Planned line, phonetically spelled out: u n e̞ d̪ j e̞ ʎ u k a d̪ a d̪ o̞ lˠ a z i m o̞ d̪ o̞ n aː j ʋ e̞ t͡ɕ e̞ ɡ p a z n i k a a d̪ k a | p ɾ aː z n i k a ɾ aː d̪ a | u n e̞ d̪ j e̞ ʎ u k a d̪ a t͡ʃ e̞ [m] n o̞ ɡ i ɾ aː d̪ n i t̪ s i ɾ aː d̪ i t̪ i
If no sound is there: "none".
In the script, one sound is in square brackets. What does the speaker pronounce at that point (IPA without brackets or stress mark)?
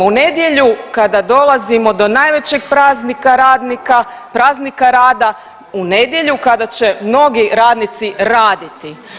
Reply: m